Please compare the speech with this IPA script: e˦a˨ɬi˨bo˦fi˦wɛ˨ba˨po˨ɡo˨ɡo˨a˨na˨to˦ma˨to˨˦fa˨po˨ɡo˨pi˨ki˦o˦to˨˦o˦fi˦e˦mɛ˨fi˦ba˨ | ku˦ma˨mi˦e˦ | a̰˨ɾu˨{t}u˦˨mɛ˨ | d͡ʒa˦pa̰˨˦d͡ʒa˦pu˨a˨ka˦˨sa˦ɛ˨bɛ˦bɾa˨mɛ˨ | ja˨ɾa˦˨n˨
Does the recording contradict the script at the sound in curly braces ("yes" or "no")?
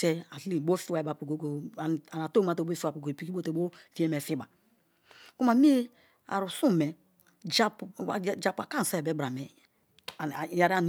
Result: yes